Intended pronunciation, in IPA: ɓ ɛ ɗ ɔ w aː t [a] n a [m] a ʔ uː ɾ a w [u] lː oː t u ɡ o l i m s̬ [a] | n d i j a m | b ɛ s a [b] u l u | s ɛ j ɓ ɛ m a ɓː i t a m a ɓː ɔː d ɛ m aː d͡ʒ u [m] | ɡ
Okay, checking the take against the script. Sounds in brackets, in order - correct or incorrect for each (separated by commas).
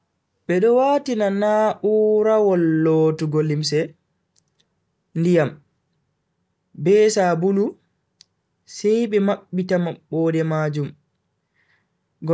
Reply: incorrect, incorrect, incorrect, incorrect, correct, correct